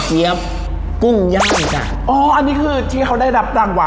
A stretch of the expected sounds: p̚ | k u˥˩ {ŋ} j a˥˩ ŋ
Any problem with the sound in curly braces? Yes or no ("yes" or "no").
no